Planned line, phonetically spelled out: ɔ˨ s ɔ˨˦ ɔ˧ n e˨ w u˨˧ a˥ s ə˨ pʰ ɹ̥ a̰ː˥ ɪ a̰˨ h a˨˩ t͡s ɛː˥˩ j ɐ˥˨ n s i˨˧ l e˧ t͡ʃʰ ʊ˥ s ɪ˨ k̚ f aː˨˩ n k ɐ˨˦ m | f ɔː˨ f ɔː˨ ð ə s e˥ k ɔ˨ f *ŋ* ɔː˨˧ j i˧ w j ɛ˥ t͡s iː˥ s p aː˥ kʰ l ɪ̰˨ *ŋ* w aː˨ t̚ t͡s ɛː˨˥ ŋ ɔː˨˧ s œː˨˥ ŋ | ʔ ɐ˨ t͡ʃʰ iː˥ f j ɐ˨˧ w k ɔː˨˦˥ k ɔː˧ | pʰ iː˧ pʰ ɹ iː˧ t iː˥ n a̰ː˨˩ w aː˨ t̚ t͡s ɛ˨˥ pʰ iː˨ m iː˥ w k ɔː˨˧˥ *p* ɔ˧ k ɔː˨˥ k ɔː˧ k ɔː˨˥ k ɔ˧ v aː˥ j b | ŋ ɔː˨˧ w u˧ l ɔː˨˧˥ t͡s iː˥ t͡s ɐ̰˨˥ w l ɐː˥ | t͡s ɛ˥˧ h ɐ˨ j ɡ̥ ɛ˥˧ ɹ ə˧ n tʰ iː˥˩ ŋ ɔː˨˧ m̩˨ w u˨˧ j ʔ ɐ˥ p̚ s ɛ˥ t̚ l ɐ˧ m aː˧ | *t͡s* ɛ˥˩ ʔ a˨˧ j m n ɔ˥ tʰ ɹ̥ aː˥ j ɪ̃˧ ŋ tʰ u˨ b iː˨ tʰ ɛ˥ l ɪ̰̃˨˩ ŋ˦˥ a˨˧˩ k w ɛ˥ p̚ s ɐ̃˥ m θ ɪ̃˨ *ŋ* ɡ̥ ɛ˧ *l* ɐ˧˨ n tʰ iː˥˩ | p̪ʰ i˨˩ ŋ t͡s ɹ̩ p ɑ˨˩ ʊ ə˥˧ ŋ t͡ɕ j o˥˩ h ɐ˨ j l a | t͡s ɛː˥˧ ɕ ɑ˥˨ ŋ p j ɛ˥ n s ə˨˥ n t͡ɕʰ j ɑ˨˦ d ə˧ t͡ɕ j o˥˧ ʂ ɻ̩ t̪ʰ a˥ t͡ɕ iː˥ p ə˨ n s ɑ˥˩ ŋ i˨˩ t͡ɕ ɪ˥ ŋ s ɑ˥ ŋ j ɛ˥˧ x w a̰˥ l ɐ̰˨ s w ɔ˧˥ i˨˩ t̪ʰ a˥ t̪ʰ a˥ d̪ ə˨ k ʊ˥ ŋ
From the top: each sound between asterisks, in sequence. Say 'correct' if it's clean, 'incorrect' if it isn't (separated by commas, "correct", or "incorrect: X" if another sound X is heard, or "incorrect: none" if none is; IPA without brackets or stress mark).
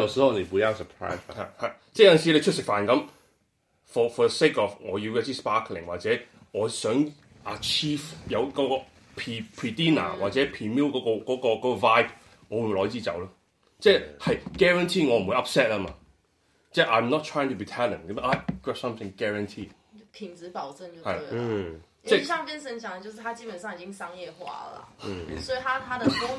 correct, correct, incorrect: k, correct, correct, incorrect: ɹ